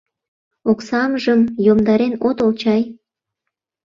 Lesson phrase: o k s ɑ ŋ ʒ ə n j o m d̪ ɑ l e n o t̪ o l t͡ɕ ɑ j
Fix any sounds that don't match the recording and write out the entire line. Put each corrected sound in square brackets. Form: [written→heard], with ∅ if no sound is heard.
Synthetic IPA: o k s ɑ [ŋ→m] ʒ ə [n→m] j o m d̪ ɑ [l→ɾ] e n o t̪ o l t͡ɕ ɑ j